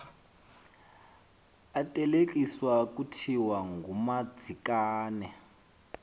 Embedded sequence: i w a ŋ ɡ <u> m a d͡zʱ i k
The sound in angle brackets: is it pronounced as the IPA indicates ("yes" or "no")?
yes